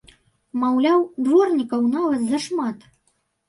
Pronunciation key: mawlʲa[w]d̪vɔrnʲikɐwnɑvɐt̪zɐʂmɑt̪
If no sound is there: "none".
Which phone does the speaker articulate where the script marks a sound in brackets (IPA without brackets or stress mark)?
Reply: w